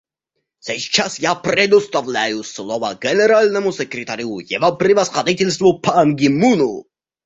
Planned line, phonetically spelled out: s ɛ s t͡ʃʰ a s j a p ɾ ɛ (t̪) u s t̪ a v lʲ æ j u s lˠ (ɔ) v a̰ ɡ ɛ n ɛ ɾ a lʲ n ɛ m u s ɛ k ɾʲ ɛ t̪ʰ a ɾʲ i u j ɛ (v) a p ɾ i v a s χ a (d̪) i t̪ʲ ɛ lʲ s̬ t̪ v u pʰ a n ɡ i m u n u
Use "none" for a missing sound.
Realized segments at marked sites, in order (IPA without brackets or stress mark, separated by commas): d̪, ɔ, v, d̪